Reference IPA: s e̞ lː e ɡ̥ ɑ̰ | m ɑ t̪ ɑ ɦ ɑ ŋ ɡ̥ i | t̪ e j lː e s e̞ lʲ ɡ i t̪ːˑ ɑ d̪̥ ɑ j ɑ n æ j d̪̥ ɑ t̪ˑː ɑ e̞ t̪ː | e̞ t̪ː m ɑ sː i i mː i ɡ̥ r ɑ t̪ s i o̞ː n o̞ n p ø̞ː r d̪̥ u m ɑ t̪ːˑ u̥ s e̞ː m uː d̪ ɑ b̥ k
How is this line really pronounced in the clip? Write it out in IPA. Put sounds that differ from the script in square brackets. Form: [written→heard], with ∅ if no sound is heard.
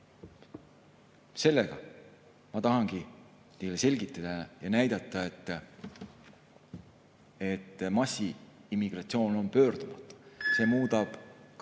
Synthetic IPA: s e̞ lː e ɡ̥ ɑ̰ | m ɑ t̪ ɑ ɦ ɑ ŋ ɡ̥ i | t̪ e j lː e s e̞ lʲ ɡ i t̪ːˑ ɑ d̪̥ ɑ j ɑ n æ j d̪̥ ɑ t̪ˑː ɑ e̞ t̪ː | e̞ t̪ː m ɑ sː i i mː i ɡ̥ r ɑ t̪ s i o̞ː n o̞ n p ø̞ː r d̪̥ u m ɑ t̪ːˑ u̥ s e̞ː m uː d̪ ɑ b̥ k